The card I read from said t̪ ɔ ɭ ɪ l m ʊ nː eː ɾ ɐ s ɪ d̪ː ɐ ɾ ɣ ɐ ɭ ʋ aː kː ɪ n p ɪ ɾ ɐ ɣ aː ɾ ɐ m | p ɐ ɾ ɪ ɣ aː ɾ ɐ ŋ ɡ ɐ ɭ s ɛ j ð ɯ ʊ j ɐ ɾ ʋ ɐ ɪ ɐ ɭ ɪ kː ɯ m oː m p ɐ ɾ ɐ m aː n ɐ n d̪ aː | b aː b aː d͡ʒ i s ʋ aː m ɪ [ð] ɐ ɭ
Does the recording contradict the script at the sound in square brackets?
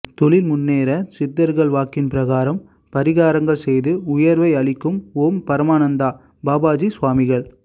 yes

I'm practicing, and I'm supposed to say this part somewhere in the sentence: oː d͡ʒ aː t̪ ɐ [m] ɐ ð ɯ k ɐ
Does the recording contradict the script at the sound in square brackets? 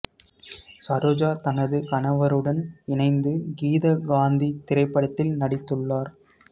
yes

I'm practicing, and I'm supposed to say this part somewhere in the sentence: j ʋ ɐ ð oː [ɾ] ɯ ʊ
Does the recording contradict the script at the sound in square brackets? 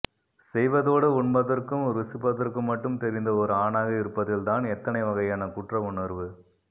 yes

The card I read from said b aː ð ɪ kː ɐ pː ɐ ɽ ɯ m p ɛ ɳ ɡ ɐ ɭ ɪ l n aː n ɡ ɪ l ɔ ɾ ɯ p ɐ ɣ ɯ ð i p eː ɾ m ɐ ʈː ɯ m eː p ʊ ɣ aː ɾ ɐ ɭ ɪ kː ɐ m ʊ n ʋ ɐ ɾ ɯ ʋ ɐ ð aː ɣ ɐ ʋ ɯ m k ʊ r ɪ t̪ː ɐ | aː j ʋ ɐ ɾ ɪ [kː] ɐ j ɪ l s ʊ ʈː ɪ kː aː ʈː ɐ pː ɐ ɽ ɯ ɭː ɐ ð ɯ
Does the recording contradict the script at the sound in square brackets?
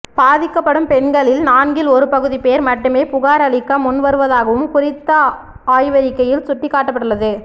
no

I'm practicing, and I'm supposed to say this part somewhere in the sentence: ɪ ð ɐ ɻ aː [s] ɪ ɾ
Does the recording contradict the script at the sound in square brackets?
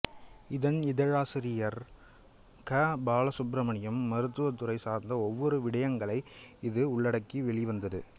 no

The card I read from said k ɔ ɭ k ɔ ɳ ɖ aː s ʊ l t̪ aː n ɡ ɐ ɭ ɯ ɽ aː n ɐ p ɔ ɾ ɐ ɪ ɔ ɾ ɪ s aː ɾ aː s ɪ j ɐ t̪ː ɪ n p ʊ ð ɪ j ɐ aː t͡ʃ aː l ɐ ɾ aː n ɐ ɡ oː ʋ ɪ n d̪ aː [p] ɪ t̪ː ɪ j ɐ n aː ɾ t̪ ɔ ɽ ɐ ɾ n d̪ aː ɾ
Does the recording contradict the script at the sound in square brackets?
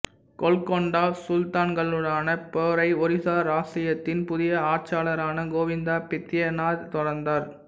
no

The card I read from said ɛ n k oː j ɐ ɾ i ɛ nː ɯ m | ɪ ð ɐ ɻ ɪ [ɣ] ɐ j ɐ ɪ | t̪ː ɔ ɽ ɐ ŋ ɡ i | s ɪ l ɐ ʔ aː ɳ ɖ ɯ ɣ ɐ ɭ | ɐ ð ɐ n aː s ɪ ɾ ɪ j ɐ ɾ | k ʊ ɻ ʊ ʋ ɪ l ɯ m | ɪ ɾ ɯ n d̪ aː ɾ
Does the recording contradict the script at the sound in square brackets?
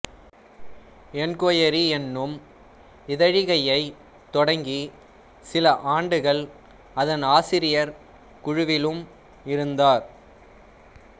no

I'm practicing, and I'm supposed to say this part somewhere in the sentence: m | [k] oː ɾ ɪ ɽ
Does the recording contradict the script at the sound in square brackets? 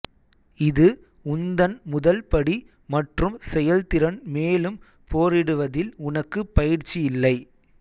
yes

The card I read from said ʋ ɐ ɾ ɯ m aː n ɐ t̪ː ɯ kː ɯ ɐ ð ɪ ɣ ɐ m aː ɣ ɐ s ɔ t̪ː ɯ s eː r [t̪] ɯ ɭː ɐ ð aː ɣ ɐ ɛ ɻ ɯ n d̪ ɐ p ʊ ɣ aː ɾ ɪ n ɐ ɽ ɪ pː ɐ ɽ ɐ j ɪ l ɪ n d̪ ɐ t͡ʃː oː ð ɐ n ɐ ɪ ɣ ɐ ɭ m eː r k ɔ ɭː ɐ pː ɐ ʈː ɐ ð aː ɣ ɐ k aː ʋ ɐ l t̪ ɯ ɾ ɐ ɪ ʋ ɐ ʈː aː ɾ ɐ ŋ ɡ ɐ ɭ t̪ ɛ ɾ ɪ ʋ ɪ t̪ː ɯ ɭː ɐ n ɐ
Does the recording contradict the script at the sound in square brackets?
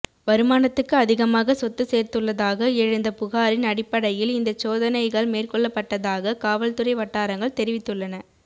no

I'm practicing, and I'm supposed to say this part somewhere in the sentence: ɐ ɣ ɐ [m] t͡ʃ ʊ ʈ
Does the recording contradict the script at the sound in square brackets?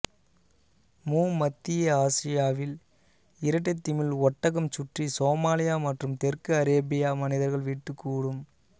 no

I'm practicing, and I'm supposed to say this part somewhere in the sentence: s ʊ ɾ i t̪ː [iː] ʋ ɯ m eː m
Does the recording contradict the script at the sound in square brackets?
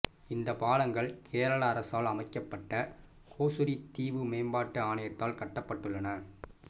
no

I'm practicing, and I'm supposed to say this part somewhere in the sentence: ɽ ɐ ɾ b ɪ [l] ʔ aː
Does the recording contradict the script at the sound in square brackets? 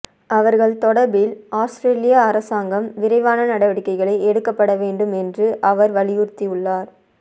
no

